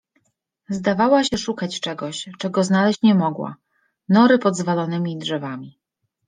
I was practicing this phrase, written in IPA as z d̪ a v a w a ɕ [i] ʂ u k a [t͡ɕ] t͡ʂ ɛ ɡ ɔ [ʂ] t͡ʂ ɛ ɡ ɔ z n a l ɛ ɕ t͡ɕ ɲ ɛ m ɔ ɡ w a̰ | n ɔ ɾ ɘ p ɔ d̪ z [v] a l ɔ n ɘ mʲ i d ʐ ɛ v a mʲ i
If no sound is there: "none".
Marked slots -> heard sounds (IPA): ɛ, t͡ɕ, ɕ, v

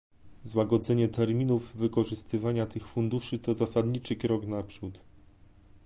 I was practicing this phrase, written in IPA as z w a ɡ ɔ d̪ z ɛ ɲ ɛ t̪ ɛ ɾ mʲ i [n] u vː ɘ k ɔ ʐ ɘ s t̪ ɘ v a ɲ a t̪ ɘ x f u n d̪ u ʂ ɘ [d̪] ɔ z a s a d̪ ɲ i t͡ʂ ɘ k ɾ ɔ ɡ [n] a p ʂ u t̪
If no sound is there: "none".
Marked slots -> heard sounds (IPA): n, t̪, n

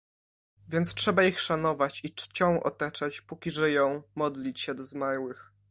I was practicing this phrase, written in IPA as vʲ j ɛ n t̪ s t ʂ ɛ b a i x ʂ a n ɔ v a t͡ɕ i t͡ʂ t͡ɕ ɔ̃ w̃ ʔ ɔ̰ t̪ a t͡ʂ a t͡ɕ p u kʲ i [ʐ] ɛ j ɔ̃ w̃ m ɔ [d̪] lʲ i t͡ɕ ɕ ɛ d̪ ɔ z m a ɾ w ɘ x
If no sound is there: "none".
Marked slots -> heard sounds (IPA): ʐ, d̪

